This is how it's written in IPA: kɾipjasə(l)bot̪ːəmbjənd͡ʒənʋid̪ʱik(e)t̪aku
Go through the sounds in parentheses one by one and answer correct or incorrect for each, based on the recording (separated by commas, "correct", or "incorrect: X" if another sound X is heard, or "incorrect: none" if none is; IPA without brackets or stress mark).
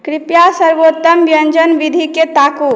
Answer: incorrect: ɾ, correct